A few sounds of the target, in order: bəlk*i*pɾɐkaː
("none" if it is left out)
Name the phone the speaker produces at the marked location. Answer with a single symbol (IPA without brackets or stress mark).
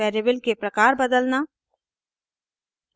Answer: e